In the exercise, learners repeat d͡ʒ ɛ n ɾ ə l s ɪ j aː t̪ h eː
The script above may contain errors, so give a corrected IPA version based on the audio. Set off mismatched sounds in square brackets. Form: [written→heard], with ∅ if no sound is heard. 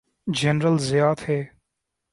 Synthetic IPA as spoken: d͡ʒ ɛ n ɾ ə l [s→z] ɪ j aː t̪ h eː